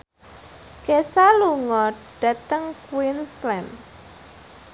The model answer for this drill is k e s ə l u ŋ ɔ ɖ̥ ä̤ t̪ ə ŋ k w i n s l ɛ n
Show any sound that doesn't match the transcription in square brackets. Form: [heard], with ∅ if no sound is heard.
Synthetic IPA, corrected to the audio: k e s [a] l u ŋ ɔ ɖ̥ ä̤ t̪ ə ŋ k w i n s l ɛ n